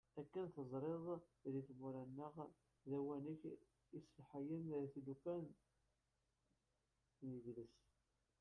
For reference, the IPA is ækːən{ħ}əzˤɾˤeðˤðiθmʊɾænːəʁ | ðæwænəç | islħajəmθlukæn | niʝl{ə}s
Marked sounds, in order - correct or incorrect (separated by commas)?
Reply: incorrect, correct